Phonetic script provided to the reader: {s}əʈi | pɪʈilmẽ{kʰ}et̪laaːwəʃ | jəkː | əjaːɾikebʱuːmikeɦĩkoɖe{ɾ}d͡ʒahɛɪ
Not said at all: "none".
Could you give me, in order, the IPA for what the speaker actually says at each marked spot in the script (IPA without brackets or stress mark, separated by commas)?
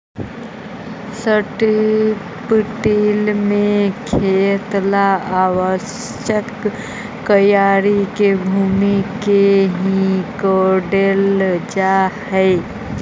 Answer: s, kʰ, l